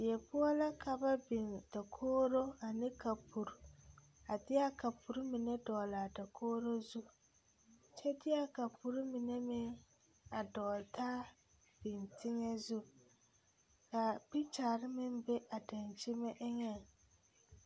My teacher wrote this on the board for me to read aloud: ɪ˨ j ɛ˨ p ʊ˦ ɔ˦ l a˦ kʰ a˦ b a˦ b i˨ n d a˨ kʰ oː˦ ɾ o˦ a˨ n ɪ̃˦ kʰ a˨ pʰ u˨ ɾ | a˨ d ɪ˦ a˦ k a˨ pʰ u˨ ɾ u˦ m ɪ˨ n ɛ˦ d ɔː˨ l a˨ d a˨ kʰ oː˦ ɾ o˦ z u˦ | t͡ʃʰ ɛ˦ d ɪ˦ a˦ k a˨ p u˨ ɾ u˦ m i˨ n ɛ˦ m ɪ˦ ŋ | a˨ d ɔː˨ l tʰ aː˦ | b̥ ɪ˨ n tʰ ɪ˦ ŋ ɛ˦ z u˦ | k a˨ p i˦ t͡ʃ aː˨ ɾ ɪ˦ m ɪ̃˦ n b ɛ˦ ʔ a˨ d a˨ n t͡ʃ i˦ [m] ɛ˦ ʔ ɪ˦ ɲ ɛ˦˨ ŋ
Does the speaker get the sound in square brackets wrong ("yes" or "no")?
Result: no